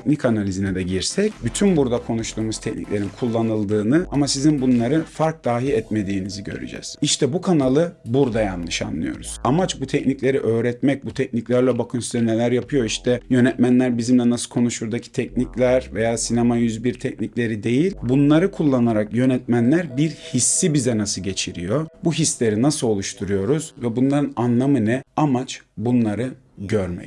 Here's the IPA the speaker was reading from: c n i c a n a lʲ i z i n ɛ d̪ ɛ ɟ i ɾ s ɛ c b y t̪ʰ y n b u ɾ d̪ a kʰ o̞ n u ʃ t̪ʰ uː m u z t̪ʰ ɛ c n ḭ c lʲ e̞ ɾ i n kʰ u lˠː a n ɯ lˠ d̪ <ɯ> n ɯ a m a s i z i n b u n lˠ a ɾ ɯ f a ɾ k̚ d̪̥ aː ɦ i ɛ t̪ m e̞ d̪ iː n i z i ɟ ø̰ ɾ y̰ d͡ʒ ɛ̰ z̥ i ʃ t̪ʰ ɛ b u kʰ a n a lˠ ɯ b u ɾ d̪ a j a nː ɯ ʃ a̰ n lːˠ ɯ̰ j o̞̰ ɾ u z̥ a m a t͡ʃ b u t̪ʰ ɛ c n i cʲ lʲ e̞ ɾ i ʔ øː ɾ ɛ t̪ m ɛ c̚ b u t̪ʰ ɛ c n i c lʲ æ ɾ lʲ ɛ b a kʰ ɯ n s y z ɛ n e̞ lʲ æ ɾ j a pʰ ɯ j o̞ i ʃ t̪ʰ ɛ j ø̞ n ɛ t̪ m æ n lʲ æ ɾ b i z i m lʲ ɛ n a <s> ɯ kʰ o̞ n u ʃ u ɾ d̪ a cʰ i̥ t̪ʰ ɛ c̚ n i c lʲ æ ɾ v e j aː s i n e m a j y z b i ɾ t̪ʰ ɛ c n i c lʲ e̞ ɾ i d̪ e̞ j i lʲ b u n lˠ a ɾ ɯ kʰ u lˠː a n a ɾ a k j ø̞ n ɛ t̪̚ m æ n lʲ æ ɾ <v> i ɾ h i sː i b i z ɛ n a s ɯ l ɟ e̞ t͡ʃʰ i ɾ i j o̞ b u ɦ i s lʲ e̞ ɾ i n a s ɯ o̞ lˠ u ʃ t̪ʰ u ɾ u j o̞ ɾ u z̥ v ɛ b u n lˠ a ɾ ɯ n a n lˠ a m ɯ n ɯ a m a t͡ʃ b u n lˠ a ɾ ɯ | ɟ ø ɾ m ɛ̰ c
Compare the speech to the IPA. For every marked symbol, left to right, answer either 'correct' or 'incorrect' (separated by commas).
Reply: incorrect, correct, incorrect